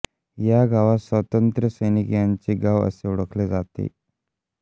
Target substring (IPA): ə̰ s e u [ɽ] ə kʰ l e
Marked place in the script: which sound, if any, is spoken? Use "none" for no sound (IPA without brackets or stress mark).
ɽ